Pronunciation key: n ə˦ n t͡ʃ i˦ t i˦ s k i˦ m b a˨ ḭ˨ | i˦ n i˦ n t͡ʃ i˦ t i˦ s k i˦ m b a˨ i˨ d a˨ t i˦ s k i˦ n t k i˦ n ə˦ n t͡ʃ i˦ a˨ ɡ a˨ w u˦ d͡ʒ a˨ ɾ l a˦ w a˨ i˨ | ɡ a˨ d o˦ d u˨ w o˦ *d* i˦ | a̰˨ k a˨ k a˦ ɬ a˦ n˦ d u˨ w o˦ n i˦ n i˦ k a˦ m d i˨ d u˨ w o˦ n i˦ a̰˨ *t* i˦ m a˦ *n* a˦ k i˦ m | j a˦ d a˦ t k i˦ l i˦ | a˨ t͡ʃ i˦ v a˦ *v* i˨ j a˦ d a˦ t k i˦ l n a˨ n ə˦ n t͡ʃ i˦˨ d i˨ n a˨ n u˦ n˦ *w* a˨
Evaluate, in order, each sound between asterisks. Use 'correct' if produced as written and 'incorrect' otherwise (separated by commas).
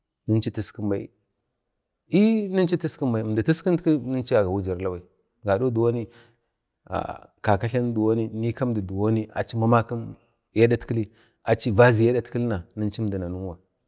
incorrect, incorrect, incorrect, incorrect, correct